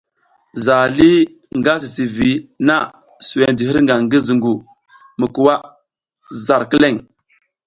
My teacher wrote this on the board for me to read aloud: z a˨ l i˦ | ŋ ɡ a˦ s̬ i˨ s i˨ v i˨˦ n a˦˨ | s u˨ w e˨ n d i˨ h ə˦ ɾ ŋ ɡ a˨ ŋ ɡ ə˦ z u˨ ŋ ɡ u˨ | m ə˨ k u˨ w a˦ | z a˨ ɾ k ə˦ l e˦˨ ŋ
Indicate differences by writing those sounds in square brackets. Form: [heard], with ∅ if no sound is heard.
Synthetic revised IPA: z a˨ l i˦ | ŋ ɡ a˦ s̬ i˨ s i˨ v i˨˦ n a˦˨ | s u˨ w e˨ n d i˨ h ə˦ ɾ ŋ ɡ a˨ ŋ ɡ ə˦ z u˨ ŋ ɡ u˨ | m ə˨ k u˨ w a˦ | z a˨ ɾ k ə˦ l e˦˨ ŋ

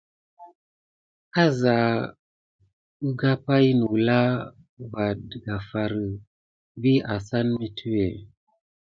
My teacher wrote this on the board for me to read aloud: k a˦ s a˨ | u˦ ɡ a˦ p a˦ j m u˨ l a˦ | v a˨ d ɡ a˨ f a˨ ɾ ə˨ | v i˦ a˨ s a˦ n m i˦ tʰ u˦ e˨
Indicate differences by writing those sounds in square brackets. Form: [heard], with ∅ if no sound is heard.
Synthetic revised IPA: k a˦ [z] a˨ | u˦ ɡ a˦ p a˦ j [n] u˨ l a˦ | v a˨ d ɡ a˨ f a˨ ɾ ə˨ | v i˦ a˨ s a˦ n m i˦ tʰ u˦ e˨

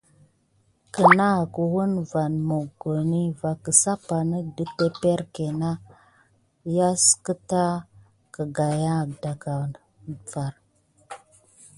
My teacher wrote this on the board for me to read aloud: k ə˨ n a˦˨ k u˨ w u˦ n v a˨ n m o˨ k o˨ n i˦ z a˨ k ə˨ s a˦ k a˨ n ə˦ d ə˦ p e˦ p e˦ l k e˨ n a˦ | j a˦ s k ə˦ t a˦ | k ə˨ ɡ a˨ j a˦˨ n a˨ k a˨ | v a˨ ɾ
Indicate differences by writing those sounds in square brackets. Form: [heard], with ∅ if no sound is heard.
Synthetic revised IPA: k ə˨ n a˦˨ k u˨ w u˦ n v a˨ n m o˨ [ɡ] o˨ n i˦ [v] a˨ k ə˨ s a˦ [p] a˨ n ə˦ d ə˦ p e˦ p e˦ [ɾ] k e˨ n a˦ | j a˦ s k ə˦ t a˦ | k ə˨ ɡ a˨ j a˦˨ [d] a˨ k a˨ | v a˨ ɾ

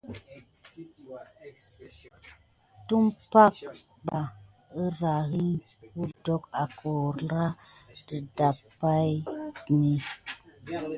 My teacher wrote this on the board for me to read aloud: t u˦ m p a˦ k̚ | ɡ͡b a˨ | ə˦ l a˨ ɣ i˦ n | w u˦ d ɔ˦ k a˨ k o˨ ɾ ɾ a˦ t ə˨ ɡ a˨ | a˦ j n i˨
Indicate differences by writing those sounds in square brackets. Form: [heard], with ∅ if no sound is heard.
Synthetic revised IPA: t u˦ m p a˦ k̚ | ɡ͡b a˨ | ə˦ [ɾ] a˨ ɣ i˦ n | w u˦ d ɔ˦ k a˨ k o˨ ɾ ɾ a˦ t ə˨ [d] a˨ | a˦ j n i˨

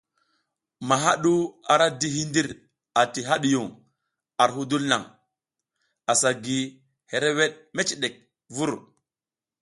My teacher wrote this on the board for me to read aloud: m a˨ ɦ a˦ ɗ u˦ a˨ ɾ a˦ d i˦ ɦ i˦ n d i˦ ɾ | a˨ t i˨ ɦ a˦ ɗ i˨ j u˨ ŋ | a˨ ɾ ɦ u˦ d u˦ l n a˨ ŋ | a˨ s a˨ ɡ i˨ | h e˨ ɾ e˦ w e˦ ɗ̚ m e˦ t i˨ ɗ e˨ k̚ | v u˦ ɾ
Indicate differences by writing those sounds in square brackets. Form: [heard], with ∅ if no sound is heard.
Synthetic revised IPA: m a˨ ɦ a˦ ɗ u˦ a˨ ɾ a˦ d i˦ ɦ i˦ n d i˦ ɾ | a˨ t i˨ ɦ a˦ ɗ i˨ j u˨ ŋ | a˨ ɾ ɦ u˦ d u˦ l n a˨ ŋ | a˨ s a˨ ɡ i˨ | h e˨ ɾ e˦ w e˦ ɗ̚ m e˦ [t͡ʃ] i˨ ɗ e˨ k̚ | v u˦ ɾ

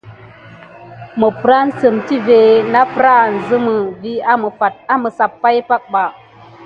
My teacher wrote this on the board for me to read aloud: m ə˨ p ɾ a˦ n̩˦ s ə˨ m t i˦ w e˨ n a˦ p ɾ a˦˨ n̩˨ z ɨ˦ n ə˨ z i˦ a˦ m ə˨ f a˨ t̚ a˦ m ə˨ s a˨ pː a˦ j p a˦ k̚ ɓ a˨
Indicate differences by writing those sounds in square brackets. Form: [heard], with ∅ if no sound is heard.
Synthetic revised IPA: m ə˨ p ɾ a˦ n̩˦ s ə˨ m t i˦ [v] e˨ n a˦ p ɾ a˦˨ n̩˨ z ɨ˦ [m] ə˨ [v] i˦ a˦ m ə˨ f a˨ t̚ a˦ m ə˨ s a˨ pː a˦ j p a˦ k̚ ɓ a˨

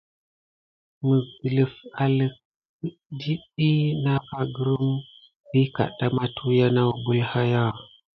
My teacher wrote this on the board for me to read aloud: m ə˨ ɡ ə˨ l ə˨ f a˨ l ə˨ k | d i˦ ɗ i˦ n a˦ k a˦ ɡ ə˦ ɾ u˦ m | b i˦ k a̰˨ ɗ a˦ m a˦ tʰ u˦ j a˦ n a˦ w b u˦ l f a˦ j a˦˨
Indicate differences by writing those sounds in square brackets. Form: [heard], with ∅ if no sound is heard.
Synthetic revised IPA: m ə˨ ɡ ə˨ l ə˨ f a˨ l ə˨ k | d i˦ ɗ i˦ n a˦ k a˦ ɡ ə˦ ɾ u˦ m | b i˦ k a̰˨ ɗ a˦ m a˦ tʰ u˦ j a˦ n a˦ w b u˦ l [h] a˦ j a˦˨

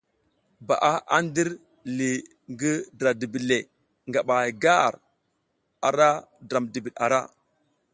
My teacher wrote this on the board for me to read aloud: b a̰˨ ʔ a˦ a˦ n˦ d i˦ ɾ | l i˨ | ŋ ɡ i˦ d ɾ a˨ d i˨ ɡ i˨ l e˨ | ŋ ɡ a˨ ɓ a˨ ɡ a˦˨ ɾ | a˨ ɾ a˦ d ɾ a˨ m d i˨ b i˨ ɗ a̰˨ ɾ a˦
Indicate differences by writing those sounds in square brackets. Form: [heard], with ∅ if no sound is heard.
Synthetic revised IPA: b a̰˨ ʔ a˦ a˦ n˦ d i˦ ɾ | l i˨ | ŋ ɡ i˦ d ɾ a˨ d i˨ [b] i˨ l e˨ | ŋ ɡ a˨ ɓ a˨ ɡ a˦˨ ɾ | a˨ ɾ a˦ d ɾ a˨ m d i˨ b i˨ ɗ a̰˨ ɾ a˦

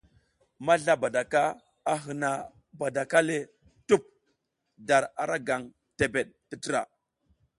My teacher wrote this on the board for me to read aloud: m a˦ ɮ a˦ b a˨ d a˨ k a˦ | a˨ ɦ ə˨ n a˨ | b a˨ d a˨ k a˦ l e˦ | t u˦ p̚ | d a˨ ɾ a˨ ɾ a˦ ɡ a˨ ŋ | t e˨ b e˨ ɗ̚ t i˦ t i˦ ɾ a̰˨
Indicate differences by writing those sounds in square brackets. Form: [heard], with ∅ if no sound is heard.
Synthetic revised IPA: m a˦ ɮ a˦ b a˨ d a˨ k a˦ | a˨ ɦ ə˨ n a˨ | b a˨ d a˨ k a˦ l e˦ | t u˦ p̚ | d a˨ ɾ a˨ ɾ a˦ ɡ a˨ ŋ | t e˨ b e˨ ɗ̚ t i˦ t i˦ ɾ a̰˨

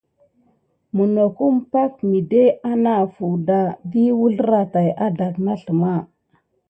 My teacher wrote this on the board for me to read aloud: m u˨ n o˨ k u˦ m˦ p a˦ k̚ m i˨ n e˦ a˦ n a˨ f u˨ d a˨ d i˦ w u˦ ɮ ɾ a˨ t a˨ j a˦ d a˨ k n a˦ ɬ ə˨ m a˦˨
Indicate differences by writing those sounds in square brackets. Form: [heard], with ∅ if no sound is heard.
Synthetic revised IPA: m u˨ n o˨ k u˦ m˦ p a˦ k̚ m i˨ [d] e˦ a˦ n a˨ f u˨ d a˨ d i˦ w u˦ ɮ ɾ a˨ t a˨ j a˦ d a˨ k n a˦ ɬ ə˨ m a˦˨

